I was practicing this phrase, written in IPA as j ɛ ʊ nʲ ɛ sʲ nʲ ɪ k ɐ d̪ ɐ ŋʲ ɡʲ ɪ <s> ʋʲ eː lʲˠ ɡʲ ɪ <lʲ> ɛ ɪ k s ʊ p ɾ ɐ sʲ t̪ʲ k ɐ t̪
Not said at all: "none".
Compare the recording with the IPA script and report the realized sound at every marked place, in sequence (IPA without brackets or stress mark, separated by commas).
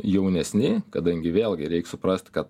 none, ɾʲ